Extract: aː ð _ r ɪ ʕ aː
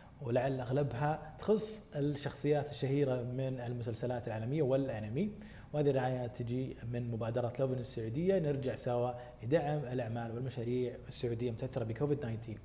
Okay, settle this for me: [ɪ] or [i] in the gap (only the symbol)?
i